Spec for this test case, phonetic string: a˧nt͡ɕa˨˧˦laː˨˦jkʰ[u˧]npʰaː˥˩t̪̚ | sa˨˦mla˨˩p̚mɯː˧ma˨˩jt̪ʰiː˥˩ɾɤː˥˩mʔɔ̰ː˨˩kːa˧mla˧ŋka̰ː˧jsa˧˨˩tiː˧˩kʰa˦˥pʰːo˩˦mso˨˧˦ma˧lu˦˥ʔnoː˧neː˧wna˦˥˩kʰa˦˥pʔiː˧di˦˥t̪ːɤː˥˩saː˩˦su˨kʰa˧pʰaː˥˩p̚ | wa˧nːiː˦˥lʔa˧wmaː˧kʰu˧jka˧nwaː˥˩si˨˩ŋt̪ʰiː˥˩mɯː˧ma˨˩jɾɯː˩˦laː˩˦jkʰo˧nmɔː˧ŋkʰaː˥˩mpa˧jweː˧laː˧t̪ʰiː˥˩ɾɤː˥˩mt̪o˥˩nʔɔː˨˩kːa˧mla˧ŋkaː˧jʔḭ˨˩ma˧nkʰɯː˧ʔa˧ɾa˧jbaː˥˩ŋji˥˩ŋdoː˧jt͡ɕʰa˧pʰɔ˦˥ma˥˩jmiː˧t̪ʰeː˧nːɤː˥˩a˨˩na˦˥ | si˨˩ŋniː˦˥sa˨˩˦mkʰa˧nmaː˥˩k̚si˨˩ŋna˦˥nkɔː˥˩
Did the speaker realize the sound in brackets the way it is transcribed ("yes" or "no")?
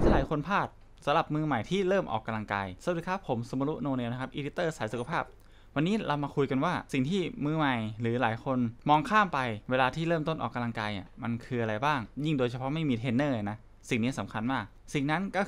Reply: no